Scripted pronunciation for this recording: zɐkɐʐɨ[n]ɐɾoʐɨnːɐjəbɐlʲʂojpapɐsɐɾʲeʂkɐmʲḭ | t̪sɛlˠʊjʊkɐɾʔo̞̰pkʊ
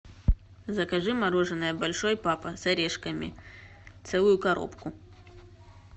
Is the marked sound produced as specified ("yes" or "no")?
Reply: no